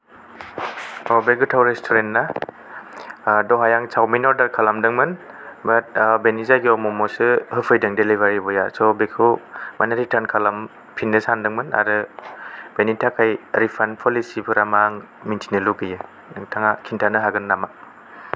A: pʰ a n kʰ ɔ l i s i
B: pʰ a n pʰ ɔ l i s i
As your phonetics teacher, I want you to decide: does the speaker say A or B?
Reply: B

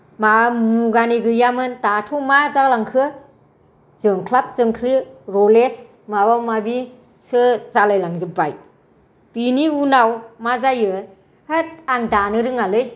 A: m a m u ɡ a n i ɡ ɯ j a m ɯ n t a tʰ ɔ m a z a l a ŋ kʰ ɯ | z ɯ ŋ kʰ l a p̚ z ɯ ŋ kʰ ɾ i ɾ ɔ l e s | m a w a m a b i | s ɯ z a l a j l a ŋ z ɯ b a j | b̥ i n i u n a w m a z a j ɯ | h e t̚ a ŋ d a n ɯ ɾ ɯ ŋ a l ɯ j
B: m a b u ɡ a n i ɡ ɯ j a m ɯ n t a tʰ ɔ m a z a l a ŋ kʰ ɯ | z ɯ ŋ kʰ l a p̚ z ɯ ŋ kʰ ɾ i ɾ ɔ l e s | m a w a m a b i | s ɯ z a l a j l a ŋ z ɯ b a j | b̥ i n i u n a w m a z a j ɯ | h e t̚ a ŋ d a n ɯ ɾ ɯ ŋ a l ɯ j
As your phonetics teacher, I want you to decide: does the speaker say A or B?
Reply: A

